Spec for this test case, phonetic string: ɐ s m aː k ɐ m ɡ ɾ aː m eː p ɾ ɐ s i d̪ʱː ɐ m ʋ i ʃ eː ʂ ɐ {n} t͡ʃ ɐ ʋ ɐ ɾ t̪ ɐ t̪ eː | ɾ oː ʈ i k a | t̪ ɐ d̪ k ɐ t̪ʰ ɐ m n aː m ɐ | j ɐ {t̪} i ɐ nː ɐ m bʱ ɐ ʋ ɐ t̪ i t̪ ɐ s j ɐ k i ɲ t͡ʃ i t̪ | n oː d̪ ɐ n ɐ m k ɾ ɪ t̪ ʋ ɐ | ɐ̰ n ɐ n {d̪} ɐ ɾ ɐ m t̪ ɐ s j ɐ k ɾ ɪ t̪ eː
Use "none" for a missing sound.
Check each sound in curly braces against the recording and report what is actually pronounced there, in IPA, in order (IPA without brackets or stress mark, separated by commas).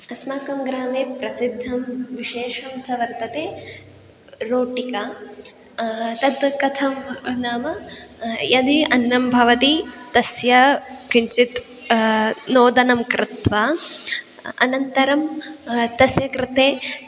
m, d̪, t̪